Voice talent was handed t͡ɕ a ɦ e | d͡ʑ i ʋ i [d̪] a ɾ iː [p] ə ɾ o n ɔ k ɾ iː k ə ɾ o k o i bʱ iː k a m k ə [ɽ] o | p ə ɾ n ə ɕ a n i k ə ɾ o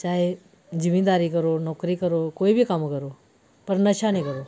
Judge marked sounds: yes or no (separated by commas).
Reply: yes, no, no